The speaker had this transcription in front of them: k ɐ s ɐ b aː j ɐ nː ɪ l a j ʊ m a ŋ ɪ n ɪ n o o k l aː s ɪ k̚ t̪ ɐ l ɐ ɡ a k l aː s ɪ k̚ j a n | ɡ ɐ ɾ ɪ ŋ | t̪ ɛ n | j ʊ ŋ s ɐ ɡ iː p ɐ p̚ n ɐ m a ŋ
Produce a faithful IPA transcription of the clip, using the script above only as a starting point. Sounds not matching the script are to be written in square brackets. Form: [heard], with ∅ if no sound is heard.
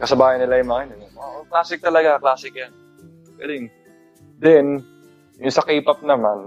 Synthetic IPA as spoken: k ɐ s ɐ b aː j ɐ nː ɪ l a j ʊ m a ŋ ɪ n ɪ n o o k l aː s ɪ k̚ t̪ ɐ l ɐ ɡ a k l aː s ɪ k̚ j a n | ɡ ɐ [l] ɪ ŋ | [d̪] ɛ n | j ʊ ŋ s ɐ [k] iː p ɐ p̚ n ɐ m a [n]